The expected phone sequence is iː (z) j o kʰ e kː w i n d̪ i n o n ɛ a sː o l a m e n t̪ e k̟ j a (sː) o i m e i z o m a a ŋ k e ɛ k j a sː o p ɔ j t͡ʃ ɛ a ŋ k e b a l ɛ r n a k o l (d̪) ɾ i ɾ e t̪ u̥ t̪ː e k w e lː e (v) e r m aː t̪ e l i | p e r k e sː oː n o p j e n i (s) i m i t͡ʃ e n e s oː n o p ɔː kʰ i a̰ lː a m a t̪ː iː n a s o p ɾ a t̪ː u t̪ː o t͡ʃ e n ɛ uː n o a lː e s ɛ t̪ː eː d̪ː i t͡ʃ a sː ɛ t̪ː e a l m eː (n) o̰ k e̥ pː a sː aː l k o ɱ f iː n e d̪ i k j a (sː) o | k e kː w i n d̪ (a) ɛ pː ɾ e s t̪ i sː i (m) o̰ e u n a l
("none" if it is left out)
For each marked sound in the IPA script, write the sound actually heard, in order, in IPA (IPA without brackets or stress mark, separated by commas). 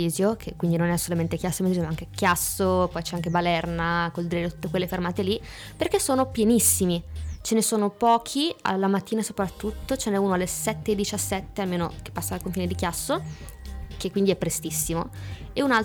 z, sː, d̪, f, sː, n, sː, i, m